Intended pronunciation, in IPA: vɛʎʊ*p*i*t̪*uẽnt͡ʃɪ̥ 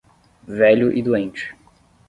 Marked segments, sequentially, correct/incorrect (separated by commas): incorrect, incorrect